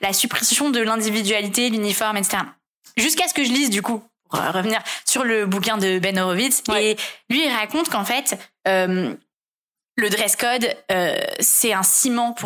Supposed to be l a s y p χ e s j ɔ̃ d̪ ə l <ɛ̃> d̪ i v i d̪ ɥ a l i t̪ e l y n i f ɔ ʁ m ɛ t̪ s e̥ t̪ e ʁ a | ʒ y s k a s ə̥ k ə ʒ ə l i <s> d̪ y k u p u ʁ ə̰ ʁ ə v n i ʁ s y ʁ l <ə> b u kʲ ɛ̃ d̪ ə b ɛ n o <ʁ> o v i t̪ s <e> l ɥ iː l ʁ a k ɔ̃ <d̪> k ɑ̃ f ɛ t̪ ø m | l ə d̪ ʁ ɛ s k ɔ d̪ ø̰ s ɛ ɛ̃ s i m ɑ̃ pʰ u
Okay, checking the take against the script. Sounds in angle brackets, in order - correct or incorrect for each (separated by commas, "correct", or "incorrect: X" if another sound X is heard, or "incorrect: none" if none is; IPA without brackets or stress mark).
correct, incorrect: z, correct, correct, correct, incorrect: t̪